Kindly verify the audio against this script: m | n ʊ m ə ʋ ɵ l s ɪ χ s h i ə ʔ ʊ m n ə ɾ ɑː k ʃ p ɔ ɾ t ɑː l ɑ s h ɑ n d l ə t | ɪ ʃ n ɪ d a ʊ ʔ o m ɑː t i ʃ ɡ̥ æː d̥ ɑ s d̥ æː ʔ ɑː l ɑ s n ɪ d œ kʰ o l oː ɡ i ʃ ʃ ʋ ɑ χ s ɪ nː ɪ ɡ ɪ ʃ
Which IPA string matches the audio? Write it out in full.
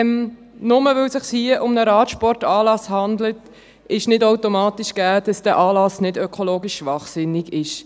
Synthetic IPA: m | n ʊ m ə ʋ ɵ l s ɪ χ s h i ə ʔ ʊ m n ə ɾ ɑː t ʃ p ɔ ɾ t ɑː l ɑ s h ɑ n d l ə t | ɪ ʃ n ɪ d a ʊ t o m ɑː t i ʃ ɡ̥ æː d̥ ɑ s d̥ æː ʔ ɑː l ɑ s n ɪ d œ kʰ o l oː ɡ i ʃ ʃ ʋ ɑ χ s ɪ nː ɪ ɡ ɪ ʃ